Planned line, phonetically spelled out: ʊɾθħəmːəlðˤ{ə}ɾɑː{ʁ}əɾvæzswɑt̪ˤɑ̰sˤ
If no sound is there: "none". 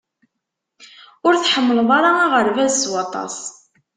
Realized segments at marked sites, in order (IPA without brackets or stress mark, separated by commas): ɑ, ʁ